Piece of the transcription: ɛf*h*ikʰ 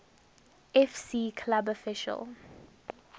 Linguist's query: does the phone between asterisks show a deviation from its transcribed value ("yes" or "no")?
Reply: yes